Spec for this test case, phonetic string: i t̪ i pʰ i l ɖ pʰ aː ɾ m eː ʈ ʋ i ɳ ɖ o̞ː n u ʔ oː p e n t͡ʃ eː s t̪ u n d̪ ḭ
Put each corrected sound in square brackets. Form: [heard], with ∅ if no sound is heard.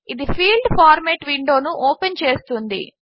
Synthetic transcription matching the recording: i [d̪] i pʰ [iː] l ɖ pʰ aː ɾ m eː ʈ ʋ i ɳ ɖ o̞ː n u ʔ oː p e n t͡ʃ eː s t̪ u n d̪ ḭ